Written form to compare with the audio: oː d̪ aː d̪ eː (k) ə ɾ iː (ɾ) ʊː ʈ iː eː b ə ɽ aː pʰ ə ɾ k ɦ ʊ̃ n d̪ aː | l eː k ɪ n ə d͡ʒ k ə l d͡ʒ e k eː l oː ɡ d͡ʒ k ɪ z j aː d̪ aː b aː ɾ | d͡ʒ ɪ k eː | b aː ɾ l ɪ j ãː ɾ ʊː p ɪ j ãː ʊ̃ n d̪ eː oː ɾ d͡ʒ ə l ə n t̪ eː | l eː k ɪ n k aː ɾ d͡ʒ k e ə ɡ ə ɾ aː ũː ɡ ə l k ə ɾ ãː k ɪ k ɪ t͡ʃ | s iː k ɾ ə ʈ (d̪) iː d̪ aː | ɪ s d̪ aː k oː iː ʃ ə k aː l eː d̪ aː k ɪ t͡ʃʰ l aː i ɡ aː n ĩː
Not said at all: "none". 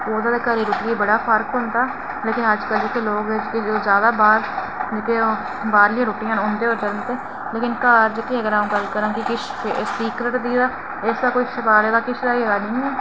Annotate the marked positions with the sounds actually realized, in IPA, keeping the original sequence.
k, ɾ, d̪

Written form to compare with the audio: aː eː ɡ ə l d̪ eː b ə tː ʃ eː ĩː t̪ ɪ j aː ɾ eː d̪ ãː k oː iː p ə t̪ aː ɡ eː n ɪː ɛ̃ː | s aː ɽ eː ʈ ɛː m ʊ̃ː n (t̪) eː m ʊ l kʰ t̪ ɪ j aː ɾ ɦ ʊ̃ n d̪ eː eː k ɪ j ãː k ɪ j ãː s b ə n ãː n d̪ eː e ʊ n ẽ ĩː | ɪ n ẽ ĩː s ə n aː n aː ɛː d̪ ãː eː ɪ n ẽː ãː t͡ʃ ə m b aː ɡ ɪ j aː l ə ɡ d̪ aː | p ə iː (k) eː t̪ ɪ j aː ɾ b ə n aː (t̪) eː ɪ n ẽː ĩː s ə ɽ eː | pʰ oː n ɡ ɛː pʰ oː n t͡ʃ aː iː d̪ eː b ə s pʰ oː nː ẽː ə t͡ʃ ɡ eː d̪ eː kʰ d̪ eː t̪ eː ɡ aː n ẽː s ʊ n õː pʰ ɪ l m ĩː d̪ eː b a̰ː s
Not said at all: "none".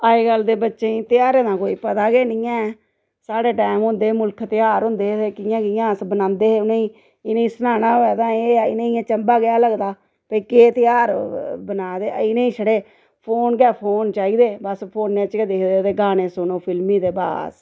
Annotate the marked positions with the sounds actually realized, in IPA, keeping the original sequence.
d̪, k, d̪

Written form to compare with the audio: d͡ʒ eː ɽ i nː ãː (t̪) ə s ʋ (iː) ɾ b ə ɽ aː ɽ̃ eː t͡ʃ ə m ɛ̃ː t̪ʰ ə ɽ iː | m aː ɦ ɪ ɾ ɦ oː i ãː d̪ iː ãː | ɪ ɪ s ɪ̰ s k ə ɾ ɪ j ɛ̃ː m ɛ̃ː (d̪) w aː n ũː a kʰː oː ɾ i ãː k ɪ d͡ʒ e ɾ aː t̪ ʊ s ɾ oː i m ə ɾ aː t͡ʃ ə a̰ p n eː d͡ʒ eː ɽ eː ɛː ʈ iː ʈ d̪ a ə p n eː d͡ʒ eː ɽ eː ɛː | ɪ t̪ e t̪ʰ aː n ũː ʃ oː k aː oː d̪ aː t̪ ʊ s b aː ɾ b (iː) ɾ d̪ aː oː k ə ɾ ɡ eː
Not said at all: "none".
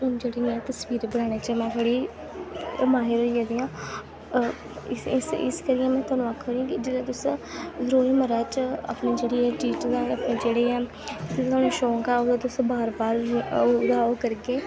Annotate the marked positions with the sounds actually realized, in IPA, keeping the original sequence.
t̪, iː, t̪, aː

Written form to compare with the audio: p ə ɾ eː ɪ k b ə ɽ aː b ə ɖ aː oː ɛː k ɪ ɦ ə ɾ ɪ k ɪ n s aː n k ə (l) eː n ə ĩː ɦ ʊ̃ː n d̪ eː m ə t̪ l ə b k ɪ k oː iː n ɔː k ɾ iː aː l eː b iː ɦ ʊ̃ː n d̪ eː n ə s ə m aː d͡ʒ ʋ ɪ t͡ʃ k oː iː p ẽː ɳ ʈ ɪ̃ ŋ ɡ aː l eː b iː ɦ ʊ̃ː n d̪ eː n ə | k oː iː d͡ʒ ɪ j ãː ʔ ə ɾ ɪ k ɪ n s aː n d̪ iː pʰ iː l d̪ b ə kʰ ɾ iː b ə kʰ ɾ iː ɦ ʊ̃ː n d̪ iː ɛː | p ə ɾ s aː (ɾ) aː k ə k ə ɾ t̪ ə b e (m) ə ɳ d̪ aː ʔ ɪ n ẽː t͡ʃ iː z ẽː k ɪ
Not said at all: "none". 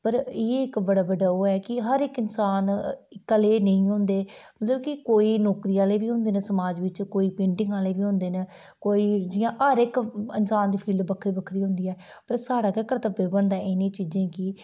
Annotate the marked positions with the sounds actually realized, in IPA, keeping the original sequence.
l, ɽ, b

